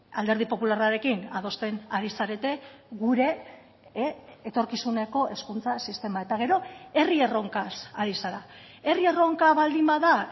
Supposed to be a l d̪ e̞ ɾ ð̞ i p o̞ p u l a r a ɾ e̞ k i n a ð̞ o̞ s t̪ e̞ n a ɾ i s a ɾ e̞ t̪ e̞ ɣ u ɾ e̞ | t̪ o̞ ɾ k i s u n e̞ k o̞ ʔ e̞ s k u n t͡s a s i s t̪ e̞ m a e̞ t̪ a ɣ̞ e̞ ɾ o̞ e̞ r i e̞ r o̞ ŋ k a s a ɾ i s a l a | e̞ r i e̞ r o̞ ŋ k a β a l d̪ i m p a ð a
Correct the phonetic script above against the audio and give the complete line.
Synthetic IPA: a l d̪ e̞ ɾ ð̞ i p o̞ p u l a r a ɾ e̞ k i n a ð̞ o̞ s t̪ e̞ n a ɾ i s a ɾ e̞ t̪ e̞ ɣ u ɾ e̞ | t̪ o̞ ɾ k i s u n e̞ k o̞ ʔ e̞ s k u n t͡s a s i s t̪ e̞ m a e̞ t̪ a ɣ̞ e̞ ɾ o̞ e̞ r i e̞ r o̞ ŋ k a s a ɾ i s a ɾ a | e̞ r i e̞ r o̞ ŋ k a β a l d̪ i m b a ð a